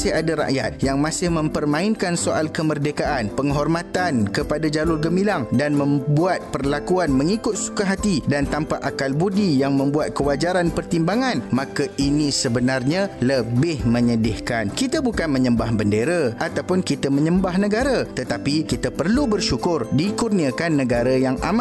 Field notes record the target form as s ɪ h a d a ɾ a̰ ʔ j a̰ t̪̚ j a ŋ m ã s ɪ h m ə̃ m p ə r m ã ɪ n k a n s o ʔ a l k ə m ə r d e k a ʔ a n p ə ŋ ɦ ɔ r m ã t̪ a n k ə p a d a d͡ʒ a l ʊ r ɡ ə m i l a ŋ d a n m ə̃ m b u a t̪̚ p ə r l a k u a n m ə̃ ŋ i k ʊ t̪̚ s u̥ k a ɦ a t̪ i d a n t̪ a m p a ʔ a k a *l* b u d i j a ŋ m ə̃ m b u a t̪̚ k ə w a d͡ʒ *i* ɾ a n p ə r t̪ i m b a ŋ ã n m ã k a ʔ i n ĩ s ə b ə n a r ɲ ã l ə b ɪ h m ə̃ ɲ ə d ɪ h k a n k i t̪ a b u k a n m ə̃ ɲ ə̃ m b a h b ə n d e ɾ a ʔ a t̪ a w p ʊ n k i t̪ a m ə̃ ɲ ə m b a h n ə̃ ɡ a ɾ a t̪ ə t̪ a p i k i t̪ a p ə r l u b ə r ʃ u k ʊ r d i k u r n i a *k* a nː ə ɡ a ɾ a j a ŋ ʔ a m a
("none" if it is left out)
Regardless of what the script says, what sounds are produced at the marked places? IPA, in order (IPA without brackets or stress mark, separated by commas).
l, a, k